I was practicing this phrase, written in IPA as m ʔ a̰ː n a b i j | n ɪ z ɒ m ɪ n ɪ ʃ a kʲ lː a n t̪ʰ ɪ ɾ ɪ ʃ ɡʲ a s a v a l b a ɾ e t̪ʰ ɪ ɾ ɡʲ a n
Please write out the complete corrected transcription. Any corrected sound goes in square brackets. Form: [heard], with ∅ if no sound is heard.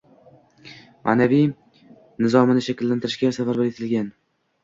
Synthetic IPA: m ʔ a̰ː n a [v] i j | n ɪ z ɒ m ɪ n ɪ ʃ a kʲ lː a n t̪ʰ ɪ ɾ ɪ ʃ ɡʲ a s a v a [ɾ] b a ɾ e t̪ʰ ɪ [l] ɡʲ a n